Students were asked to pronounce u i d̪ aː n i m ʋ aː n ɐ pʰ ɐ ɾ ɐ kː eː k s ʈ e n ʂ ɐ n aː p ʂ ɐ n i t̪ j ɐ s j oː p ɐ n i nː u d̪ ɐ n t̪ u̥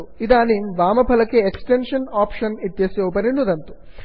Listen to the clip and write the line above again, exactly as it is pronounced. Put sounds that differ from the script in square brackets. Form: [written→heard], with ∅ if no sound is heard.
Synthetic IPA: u i d̪ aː n i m ʋ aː [n→m] ɐ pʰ ɐ [ɾ→l] ɐ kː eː k s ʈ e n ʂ ɐ n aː p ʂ ɐ n i t̪ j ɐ s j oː p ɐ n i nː u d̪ ɐ n t̪ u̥